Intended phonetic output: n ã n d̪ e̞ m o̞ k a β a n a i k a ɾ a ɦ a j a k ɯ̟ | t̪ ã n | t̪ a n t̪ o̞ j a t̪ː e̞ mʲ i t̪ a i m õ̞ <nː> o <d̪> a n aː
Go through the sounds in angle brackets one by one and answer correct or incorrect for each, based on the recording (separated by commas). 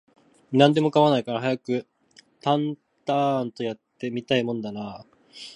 incorrect, correct